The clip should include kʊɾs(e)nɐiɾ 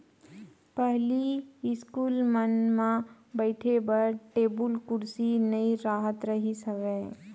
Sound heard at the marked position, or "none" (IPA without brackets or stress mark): i